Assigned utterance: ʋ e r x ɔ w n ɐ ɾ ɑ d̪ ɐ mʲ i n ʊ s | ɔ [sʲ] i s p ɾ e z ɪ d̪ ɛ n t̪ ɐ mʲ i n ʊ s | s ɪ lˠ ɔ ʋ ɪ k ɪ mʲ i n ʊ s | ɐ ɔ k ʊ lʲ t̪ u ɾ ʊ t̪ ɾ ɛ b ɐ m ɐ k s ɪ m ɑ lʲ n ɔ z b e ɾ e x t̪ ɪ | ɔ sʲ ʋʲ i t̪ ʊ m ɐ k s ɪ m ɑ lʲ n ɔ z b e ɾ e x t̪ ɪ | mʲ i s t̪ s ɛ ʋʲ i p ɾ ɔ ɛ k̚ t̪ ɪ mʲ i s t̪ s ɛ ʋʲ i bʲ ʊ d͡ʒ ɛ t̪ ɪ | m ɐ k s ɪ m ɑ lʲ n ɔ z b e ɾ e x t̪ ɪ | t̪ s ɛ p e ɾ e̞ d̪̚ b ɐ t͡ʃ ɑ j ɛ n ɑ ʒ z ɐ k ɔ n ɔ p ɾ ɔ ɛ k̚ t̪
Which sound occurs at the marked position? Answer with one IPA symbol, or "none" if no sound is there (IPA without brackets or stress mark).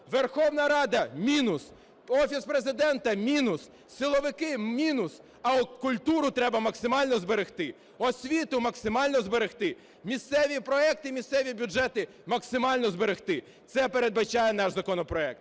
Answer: fʲ